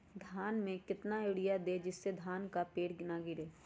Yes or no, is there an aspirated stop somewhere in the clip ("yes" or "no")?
no